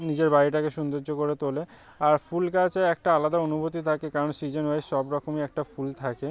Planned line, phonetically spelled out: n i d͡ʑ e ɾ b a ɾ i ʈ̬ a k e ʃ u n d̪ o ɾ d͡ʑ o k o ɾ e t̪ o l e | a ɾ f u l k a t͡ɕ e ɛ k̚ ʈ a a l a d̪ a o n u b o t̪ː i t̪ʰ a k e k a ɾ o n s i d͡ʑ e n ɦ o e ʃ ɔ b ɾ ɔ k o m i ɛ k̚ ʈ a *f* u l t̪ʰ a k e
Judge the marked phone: correct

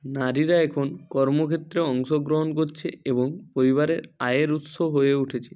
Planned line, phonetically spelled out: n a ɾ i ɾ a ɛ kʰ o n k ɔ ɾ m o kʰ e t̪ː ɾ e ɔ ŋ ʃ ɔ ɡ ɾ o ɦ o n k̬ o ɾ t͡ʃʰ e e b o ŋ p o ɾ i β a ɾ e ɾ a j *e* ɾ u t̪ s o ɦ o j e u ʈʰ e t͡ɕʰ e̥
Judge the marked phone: correct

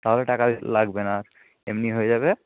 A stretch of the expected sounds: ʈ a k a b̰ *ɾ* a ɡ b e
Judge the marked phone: incorrect: l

